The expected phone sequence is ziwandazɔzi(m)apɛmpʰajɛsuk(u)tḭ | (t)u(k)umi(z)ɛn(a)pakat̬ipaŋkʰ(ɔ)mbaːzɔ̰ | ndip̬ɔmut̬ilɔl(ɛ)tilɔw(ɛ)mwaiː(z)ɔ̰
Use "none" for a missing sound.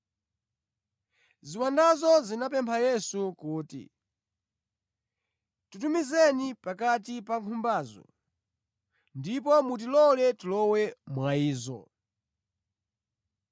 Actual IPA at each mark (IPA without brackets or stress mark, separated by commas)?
n, uː, t, t, z, i, u, ɛ, ɛ, z